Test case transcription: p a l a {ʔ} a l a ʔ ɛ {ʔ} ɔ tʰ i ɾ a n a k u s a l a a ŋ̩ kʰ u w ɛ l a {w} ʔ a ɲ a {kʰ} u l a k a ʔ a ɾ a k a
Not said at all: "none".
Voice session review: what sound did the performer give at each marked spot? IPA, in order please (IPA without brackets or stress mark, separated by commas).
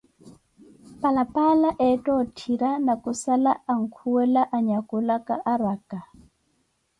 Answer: p, t, none, k